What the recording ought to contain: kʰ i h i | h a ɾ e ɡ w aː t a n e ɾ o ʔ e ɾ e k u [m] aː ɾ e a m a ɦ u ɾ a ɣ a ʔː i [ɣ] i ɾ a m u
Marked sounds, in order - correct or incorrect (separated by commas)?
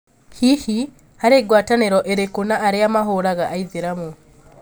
incorrect, incorrect